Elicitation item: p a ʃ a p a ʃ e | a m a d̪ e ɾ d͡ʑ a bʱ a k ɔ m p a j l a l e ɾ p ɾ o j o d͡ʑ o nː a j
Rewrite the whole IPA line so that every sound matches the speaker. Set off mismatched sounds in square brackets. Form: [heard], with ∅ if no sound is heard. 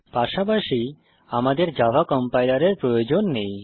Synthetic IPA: p a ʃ a p a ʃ [i] | a m a d̪ e ɾ d͡ʑ a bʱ a k ɔ m p a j l a [ɾ] e ɾ p ɾ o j o d͡ʑ o nː [e] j